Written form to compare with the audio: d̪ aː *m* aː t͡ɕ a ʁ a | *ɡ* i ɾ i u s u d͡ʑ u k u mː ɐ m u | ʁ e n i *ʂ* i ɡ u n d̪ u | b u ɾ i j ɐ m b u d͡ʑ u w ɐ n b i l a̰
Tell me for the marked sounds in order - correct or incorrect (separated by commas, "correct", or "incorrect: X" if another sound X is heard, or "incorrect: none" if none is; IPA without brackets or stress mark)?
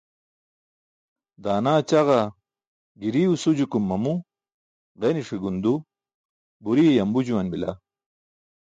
incorrect: n, correct, correct